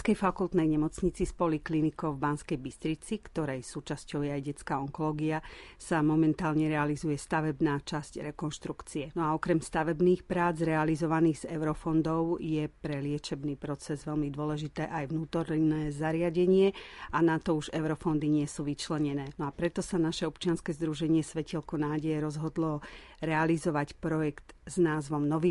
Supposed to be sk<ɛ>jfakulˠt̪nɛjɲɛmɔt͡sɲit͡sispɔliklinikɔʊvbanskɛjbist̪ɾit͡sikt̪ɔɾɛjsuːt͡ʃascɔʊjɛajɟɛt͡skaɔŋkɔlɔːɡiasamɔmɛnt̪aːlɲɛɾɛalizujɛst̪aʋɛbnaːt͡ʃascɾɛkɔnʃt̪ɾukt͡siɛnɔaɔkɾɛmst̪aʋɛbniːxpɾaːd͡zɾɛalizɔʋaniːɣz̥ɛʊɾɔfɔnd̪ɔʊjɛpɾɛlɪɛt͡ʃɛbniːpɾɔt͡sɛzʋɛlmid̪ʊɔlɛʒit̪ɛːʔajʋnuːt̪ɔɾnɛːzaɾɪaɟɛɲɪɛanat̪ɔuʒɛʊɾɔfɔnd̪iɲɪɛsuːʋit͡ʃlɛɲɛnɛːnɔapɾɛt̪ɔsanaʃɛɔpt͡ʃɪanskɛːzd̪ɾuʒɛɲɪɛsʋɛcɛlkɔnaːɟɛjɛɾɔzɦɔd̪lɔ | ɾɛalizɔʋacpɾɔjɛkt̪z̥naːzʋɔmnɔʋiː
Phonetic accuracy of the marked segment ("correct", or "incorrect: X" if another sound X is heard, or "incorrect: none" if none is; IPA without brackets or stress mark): correct